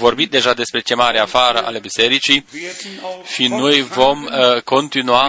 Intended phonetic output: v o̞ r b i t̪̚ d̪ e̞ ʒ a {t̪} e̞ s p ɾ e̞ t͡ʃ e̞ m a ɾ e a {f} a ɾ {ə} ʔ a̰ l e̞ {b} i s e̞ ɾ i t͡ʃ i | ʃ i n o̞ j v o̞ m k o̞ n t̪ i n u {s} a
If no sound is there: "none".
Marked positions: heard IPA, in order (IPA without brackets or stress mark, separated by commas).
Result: d̪, f, ə, b, none